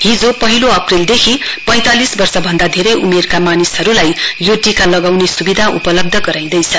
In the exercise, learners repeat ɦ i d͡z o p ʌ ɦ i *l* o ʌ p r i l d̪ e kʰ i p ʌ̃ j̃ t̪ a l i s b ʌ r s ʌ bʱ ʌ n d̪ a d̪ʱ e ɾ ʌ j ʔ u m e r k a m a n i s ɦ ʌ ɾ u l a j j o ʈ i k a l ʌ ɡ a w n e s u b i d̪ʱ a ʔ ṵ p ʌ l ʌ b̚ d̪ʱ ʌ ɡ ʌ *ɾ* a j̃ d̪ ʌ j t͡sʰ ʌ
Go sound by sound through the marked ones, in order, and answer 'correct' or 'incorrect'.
correct, correct

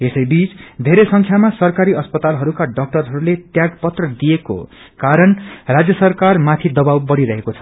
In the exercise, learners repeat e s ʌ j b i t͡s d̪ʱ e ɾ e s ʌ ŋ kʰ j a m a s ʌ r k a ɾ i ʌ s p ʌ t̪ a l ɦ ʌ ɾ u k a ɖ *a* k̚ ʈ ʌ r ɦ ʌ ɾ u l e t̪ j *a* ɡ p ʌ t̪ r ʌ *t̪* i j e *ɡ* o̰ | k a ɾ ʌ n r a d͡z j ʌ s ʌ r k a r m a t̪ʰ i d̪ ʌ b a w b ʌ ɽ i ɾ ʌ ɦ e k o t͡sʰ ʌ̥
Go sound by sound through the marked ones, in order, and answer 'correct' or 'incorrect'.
incorrect: ʌ, correct, incorrect: d̪, incorrect: k

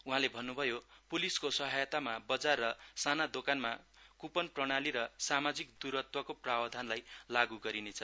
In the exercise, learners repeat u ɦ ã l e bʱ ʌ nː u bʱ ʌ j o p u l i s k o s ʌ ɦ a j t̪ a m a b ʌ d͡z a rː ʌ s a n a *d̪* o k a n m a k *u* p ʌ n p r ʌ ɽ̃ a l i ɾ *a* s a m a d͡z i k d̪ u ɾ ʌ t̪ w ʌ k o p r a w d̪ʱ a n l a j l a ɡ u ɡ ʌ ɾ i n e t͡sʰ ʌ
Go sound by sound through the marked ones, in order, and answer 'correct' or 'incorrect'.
correct, correct, incorrect: ʌ

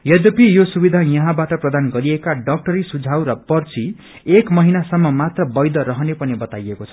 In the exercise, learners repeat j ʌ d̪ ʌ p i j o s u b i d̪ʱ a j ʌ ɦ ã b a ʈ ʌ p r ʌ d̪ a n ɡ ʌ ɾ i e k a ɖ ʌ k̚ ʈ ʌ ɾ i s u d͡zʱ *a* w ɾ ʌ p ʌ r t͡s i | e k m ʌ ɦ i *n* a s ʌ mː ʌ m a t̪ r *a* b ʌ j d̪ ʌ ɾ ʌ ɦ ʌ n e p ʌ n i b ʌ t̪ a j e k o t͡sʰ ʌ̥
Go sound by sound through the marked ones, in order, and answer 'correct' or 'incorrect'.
correct, correct, incorrect: ʌ

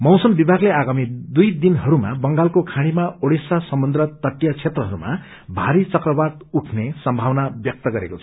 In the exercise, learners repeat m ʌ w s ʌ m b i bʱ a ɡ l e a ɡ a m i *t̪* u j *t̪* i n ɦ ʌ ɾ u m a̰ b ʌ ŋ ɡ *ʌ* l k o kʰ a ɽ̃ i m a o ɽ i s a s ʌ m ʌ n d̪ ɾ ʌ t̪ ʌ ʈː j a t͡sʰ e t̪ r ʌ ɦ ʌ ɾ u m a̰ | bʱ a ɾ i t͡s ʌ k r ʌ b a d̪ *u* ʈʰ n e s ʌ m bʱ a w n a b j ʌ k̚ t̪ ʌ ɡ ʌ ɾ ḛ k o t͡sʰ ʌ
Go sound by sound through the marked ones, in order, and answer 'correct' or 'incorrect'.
incorrect: d̪, incorrect: d̪, incorrect: a, correct

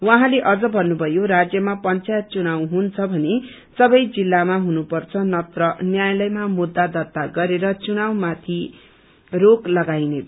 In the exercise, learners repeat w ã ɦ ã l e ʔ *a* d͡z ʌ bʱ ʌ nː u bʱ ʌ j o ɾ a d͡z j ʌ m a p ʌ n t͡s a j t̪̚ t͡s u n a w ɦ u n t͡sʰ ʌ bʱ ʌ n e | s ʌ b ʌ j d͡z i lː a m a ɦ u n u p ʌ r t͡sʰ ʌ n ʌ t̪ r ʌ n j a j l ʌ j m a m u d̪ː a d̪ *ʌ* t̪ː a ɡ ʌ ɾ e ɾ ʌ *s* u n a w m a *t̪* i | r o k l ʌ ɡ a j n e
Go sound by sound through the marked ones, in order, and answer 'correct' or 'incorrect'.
incorrect: ʌ, correct, incorrect: t͡s, incorrect: t̪ʰ

